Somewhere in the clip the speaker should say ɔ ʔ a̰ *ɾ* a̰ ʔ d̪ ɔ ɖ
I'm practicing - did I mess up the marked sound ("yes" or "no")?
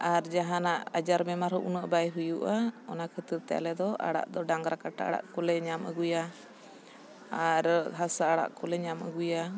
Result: yes